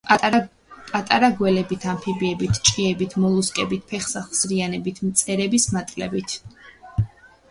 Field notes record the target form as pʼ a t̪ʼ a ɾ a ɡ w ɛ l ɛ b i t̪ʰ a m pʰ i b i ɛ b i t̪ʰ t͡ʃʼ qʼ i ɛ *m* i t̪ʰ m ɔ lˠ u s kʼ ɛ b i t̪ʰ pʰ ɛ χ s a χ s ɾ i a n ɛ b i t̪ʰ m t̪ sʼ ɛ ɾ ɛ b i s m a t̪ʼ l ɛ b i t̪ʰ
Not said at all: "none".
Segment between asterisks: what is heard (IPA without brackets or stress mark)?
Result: b